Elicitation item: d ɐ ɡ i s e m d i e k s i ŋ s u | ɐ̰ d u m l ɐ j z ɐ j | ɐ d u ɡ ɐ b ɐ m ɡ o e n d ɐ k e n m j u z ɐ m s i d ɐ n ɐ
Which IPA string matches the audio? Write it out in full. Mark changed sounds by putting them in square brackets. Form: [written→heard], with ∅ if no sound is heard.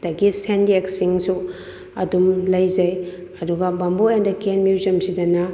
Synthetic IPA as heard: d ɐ ɡ i s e [m→n] d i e k s i ŋ s u | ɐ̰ d u m l ɐ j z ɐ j | ɐ d u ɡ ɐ b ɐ m [ɡ→b] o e n d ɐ k e n m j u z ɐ m s i d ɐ n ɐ